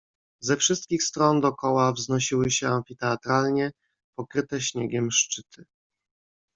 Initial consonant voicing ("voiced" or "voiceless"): voiced